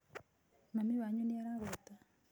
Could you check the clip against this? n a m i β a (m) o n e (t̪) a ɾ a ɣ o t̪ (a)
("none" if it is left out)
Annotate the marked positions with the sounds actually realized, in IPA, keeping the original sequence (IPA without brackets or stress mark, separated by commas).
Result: ɲ, none, a